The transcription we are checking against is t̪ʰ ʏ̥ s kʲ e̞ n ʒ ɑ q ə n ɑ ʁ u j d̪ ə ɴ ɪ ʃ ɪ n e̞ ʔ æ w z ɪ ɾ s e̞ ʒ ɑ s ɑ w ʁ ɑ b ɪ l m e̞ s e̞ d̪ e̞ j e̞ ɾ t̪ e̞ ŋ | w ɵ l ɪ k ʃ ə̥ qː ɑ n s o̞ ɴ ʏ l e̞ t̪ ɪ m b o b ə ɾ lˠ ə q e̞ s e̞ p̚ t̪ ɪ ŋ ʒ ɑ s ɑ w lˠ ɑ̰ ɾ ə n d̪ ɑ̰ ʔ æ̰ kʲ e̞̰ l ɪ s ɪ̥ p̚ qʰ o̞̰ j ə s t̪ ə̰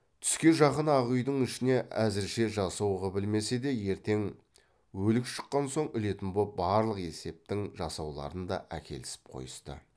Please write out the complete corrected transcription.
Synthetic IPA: t̪ʰ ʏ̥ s kʲ e̞ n ʒ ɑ q ə n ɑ ʁ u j d̪ ə ɴ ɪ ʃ ɪ n e̞ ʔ æ z ɪ ɾ ʃ e̞ ʒ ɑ s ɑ w ʁ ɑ b ɪ l m e̞ s e̞ d̪ e̞ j e̞ ɾ t̪ e̞ ŋ | w ɵ l ɪ k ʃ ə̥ qː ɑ n s o̞ ɴ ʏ l e̞ t̪ ɪ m b o b ɑ ɾ lˠ ə q e̞ s e̞ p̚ t̪ ɪ ŋ ʒ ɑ s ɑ w lˠ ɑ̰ ɾ ə n d̪ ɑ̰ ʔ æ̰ kʲ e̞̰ l ɪ s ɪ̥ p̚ qʰ o̞̰ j ə s t̪ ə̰